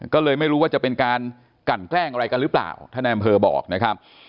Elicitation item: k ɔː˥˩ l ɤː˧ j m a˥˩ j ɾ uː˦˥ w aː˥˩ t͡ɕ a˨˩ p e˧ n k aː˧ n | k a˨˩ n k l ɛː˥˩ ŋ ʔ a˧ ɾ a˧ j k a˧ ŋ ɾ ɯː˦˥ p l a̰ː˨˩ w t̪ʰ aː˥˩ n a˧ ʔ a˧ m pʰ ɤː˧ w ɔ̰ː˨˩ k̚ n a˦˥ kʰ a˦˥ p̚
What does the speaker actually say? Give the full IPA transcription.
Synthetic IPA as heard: k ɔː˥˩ l ɤː˧ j m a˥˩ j ɾ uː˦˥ w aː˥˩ t͡ɕ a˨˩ p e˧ n k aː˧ n | k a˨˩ n k l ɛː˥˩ ŋ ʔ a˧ ɾ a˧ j k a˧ n ɾ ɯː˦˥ p l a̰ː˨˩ w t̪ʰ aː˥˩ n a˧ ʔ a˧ m pʰ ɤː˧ b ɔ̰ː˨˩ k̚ n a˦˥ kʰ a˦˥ p̚

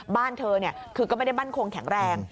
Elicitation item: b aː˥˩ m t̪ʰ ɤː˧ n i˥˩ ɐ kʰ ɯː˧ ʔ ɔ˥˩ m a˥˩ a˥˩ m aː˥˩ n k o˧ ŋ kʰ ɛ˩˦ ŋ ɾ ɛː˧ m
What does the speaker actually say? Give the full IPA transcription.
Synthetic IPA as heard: b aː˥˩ n t̪ʰ ɤː˧ n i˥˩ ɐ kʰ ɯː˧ k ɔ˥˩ m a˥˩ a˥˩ m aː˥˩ n kʰ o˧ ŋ kʰ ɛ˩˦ ŋ ɾ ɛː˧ ŋ

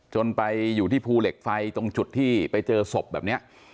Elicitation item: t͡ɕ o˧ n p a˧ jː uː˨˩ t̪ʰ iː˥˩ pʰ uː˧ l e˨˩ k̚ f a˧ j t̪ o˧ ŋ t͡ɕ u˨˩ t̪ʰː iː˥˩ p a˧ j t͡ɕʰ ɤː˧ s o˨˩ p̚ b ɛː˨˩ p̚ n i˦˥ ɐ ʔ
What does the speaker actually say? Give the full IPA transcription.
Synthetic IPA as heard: t͡ɕ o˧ n p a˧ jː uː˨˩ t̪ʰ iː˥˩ pʰ uː˧ l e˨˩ k̚ f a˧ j t̪ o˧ ŋ t͡ɕ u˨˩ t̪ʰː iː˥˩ p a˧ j t͡ɕ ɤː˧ s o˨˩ p̚ b ɛː˨˩ p̚ n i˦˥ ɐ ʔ

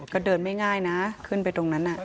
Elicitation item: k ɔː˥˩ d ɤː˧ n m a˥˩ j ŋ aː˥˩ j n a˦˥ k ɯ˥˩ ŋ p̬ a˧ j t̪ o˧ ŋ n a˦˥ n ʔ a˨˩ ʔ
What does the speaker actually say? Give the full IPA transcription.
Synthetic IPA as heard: k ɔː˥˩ d ɤː˧ n m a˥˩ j ŋ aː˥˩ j n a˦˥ kʰ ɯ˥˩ n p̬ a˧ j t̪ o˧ ŋ n a˦˥ n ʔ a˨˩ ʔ

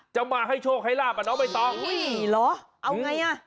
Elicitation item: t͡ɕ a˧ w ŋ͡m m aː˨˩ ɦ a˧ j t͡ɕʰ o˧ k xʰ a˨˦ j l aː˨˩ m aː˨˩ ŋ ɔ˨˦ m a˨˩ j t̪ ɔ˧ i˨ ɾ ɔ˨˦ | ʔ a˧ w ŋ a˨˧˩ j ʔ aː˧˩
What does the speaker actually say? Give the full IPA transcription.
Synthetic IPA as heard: t͡ɕ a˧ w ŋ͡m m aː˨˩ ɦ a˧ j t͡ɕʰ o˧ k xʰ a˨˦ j l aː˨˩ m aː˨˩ n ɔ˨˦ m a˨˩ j t̪ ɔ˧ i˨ l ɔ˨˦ | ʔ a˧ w ŋ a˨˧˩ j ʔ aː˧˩

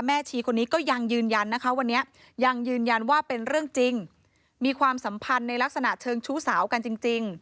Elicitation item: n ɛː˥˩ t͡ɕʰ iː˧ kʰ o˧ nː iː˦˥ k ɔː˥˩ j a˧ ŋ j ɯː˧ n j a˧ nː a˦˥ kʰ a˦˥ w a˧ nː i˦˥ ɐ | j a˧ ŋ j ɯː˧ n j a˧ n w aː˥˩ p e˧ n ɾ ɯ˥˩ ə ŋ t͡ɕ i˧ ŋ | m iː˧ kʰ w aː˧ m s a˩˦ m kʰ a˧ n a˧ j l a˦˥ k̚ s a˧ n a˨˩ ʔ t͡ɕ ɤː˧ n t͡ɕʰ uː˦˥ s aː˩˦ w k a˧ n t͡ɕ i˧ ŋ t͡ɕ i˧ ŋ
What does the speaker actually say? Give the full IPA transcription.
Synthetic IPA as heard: m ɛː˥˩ t͡ɕʰ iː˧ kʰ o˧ nː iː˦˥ k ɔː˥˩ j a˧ ŋ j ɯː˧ n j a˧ nː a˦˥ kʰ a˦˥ w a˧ nː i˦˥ ɐ | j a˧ ŋ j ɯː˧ n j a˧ n w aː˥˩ p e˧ n ɾ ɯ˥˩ ə ŋ t͡ɕ i˧ ŋ | m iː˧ kʰ w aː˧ m s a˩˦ m pʰ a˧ nː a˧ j l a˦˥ k̚ s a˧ n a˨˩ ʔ t͡ɕʰ ɤː˧ ŋ t͡ɕʰ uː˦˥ s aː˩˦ w k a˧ n t͡ɕ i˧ ŋ t͡ɕ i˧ ŋ

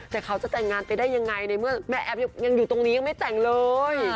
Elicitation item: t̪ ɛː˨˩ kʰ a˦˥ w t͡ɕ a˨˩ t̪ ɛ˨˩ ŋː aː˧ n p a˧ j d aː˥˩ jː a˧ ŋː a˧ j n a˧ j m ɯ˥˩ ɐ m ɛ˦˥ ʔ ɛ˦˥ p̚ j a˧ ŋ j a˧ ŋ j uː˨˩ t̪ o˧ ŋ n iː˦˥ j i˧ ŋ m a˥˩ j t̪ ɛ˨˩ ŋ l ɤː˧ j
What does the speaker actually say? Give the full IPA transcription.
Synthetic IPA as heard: t̪ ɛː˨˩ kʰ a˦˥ w t͡ɕ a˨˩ t̪ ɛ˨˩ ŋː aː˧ n p a˧ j d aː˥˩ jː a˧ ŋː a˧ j n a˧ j m ɯ˥˩ ɐ m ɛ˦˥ ʔ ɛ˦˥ p̚ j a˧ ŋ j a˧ ŋ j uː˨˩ t̪ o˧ ŋ n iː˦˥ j a˧ ŋ m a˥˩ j t̪ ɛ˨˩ ŋ l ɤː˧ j

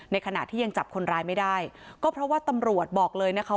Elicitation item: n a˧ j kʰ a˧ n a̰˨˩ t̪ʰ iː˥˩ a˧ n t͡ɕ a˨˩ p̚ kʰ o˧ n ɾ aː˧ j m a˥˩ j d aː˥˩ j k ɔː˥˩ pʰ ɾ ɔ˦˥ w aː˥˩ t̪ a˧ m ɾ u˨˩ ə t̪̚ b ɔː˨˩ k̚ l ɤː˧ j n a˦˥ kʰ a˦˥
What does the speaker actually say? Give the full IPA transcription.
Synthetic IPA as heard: n a˧ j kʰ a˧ n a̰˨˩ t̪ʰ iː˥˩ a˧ ŋ t͡ɕ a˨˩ p̚ kʰ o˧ n ɾ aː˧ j m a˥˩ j d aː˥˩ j k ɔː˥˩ pʰ ɾ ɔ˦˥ w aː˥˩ t̪ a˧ m ɾ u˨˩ ə t̪̚ b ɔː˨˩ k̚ l ɤː˧ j n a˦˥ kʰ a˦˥

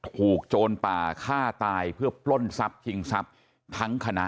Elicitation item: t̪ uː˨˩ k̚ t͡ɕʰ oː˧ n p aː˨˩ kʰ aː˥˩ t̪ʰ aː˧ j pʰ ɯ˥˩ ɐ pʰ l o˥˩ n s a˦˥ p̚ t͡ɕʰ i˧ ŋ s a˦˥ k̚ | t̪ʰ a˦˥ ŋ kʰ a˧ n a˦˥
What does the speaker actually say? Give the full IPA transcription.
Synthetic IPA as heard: t̪ʰ uː˨˩ k̚ t͡ɕ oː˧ n p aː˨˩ kʰ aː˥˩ t̪ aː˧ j pʰ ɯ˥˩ ɐ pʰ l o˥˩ n s a˦˥ p̚ t͡ɕʰ i˧ ŋ s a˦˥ p̚ | t̪ʰ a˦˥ ŋ kʰ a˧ n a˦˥

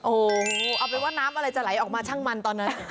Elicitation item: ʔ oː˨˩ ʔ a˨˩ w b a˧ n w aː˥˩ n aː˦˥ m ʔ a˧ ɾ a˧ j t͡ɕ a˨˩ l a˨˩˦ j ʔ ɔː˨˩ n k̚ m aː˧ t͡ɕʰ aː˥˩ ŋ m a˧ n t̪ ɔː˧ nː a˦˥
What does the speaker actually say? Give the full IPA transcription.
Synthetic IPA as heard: ʔ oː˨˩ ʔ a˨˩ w p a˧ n w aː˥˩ n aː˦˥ m ʔ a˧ ɾ a˧ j t͡ɕ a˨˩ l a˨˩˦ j ʔ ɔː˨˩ k̚ m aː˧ t͡ɕʰ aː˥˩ ŋ m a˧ n t̪ ɔː˧ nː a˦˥

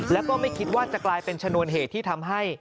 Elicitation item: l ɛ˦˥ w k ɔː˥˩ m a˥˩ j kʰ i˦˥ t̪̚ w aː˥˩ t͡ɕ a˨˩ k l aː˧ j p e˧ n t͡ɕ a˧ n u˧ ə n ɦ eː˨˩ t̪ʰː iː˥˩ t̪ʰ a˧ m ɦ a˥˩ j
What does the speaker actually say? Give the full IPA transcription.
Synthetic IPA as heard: l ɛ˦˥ w k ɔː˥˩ m a˥˩ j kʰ i˦˥ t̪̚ w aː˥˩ t͡ɕ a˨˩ k l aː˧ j p e˧ n t͡ɕʰ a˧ n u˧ ə n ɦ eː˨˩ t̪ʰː iː˥˩ t̪ʰ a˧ m ɦ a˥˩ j

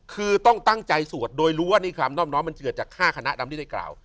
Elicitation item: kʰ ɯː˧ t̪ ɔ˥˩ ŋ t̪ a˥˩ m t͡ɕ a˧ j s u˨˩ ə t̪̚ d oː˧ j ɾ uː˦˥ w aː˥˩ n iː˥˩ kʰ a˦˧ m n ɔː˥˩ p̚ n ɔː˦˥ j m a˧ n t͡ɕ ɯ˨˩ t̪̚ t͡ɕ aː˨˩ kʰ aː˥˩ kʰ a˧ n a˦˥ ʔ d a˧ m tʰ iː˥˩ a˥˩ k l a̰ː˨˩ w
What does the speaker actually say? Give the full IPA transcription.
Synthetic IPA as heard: kʰ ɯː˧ t̪ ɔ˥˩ ŋ t̪ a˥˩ ŋ t͡ɕ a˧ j s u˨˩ ə t̪̚ d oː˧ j ɾ uː˦˥ w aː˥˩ n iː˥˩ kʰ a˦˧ m n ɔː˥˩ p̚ n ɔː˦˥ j m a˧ n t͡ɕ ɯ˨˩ t̪̚ t͡ɕ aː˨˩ kʰ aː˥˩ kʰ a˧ n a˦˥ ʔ d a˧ m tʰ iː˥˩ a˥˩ k l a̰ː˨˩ w

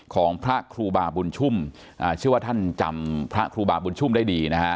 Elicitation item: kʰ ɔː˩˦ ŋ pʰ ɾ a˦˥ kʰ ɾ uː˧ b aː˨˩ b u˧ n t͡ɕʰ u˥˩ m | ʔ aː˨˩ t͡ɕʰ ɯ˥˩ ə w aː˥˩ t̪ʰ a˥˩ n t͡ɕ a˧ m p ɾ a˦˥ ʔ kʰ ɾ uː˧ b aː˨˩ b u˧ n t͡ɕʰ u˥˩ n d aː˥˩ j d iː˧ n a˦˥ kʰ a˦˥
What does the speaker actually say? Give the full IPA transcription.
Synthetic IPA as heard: kʰ ɔː˩˦ ŋ pʰ ɾ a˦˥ kʰ ɾ uː˧ b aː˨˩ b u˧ n t͡ɕʰ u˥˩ m | ʔ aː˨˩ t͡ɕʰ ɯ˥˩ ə w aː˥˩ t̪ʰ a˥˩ n t͡ɕ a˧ m pʰ ɾ a˦˥ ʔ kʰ ɾ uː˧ b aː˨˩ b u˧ n t͡ɕʰ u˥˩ m d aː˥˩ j d iː˧ n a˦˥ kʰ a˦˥

